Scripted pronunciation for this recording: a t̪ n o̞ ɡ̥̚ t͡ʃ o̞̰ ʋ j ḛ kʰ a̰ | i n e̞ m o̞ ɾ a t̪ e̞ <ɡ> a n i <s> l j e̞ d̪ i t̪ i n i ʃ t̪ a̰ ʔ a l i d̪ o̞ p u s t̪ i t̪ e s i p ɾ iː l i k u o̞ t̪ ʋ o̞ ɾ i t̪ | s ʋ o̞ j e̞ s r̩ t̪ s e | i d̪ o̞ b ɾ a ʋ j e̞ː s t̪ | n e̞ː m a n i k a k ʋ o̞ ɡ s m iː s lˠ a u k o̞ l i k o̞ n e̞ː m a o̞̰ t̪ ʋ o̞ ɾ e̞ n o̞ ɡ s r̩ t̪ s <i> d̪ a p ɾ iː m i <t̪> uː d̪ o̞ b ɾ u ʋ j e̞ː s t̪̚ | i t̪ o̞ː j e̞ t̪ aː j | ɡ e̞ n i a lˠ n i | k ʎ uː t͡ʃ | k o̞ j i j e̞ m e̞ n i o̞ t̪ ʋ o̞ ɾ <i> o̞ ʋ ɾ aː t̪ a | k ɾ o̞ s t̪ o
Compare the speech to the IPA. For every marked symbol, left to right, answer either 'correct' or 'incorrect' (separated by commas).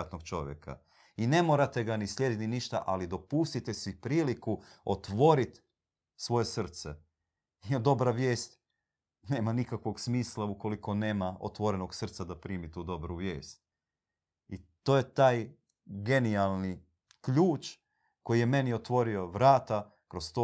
correct, correct, incorrect, correct, correct